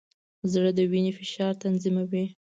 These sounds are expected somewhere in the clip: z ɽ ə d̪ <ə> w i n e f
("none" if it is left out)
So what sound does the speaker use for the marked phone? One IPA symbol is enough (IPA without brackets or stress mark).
ə